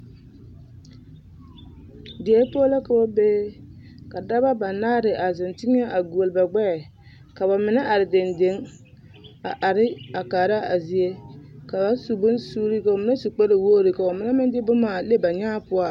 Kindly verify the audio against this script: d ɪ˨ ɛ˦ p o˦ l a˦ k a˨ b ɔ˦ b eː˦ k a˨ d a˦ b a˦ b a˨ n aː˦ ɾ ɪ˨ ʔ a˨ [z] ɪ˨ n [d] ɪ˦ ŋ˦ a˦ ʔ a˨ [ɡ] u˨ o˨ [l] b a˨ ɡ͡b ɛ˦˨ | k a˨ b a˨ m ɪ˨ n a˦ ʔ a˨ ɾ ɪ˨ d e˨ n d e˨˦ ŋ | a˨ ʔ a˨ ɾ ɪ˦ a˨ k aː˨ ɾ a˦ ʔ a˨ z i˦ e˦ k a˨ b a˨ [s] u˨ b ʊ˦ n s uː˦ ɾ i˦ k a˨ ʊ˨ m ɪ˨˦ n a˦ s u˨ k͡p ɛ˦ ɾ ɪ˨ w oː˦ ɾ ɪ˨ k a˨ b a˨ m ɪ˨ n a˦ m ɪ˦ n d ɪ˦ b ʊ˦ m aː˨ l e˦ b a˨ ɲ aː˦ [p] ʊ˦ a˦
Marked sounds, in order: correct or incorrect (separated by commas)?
correct, incorrect, correct, correct, correct, correct